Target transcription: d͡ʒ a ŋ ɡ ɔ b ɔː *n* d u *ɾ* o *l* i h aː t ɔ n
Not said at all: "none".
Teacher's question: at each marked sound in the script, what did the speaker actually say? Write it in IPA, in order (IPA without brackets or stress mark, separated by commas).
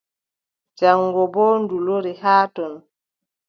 n, l, ɾ